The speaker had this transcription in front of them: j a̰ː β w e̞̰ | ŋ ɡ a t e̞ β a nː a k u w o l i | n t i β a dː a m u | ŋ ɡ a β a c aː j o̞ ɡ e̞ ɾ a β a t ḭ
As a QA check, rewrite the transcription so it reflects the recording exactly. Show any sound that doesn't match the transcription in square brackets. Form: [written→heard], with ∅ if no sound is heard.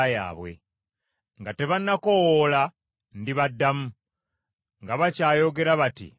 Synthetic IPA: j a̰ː β w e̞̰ | ŋ ɡ a t e̞ β a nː a k [u→o] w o l [i→a] | n [t→d] i β a dː a m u | ŋ ɡ a β a c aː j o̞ ɡ e̞ ɾ a β a t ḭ